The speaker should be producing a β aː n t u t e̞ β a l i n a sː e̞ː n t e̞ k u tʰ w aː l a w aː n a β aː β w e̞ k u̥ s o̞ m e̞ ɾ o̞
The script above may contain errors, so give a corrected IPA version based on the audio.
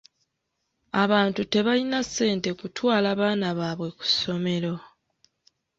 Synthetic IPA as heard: a β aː n t u t e̞ β a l i n a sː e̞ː n t e̞ k u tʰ w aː l a β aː n a β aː β w e̞ k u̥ s o̞ m e̞ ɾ o̞